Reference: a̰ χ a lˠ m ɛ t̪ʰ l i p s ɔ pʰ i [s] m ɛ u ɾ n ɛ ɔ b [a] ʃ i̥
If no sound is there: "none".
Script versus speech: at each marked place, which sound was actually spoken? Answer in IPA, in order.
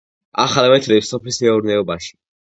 s, a

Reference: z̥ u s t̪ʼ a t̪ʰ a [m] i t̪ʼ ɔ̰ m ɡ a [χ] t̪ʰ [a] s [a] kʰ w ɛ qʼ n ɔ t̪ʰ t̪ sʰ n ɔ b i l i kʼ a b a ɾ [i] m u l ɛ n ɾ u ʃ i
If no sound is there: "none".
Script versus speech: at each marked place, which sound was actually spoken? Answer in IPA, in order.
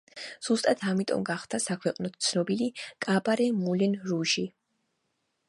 m, χ, a, a, ɛ

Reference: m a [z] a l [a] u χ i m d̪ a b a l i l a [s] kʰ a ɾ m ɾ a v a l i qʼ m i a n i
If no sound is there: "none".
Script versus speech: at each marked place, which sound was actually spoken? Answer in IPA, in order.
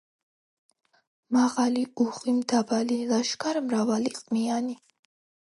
ʁ, i, ʃ

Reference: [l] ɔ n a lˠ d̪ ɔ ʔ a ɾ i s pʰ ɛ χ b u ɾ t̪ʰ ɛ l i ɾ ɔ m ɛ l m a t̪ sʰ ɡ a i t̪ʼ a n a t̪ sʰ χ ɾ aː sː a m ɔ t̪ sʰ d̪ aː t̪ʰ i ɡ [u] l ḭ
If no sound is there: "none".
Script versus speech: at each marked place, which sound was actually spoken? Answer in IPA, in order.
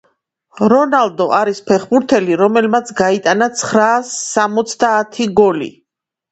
ɾ, ɔ

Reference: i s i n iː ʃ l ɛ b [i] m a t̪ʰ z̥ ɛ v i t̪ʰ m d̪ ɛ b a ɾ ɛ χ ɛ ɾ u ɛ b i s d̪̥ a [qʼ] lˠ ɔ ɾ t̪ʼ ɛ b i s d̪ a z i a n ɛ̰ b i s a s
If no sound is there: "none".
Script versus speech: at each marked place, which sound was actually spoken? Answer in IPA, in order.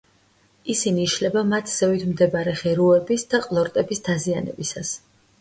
a, qʼ

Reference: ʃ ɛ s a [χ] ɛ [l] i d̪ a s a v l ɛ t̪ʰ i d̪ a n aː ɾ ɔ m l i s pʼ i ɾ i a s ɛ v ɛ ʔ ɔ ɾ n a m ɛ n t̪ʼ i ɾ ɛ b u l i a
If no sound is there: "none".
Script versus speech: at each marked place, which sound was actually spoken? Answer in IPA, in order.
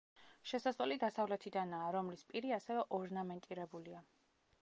s, l

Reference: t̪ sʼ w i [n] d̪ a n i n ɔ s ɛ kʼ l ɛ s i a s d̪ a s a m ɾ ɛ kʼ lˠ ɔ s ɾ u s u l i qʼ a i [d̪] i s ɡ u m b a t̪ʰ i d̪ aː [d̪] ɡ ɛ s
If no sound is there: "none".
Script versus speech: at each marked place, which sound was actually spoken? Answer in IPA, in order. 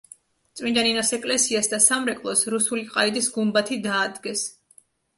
n, d̪, d̪

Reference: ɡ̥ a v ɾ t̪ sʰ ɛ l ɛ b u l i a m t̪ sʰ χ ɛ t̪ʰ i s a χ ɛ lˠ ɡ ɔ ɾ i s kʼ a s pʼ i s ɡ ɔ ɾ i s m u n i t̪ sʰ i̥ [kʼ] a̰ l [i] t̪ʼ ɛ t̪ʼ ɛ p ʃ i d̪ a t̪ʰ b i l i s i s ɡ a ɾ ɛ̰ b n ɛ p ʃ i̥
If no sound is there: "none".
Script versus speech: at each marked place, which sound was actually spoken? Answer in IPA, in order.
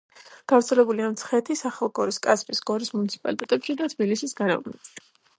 pʼ, i

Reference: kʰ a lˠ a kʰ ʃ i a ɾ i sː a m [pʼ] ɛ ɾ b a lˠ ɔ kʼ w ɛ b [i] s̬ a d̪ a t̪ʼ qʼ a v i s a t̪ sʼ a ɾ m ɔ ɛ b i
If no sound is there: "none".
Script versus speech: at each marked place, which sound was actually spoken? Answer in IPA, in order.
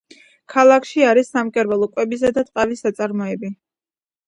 kʼ, i

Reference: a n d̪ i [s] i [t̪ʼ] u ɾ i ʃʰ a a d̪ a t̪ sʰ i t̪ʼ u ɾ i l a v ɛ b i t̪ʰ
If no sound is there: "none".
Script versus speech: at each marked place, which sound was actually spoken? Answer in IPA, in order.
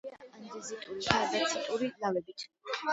z, t̪ʼ

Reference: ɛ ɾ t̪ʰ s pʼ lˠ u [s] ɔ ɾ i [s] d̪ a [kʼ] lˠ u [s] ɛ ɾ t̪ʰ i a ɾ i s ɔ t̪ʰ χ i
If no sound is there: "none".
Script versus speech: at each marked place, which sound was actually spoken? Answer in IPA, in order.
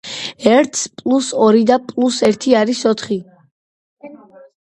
s, none, pʼ, s

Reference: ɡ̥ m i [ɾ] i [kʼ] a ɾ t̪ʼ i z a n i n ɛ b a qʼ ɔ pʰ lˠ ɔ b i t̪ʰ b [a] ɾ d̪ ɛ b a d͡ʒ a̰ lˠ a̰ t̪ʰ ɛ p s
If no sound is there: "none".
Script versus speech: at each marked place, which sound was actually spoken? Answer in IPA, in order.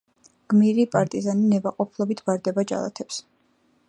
ɾ, pʼ, a

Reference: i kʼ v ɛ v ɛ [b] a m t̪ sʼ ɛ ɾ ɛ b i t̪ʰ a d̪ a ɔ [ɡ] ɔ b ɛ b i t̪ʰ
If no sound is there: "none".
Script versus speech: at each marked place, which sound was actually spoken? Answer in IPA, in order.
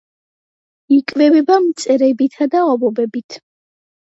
b, b

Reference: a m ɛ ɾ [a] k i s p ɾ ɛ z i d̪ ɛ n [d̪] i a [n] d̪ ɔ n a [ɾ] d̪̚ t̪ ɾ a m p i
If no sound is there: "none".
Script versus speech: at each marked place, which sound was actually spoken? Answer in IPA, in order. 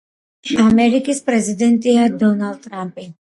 i, t̪, none, l

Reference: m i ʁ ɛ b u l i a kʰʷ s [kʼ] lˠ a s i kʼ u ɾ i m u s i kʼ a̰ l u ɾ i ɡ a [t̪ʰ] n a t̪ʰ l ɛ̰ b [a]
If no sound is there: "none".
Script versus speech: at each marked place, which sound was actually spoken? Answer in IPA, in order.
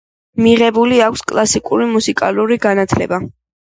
kʼ, none, a

